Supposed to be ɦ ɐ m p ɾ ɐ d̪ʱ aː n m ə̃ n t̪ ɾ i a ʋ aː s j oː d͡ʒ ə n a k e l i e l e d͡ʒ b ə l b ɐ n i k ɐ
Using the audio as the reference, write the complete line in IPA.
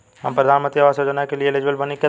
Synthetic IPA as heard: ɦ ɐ m p ɾ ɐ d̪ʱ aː n m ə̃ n t̪ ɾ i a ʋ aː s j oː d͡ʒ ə n a k e l i e l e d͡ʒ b ə l b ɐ n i k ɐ